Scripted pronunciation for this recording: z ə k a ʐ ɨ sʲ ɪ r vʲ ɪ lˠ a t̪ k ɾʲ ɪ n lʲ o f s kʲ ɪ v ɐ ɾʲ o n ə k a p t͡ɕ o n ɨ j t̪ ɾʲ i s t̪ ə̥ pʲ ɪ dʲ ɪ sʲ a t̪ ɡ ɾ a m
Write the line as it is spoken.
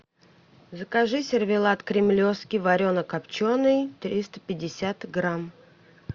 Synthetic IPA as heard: z ə k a ʐ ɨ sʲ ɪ r vʲ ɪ lˠ a t̪ k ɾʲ ɪ m lʲ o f s kʲ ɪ v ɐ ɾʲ o n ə k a p t͡ɕ o n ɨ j t̪ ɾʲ i s t̪ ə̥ pʲ ɪ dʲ ɪ sʲ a t̪ ɡ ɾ a m